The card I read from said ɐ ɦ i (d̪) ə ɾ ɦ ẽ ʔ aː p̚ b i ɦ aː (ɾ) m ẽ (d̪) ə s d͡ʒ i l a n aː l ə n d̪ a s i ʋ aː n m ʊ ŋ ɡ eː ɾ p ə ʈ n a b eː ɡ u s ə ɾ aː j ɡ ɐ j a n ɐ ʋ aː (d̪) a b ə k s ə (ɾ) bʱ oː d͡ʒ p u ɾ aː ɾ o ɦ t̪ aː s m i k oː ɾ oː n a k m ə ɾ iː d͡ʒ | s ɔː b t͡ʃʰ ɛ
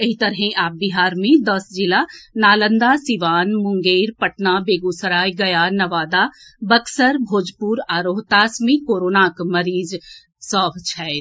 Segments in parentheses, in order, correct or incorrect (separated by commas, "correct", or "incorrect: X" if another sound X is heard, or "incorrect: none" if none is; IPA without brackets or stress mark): incorrect: t̪, correct, correct, correct, correct